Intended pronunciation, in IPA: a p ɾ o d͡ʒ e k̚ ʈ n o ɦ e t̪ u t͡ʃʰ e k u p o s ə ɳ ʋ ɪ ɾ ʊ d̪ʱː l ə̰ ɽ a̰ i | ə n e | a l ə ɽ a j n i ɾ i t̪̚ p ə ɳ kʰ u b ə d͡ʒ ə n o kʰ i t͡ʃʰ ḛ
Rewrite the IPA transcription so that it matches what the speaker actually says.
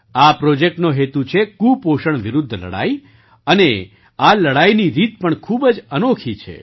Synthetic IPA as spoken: a p ɾ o d͡ʒ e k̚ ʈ n o ɦ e t̪ u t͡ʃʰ e k u p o ʃ ə ɳ ʋ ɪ ɾ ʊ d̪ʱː l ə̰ ɽ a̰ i | ə n e | a l ə ɽ a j n i ɾ i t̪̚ p ə ɳ kʰ u b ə d͡ʒ ə n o kʰ i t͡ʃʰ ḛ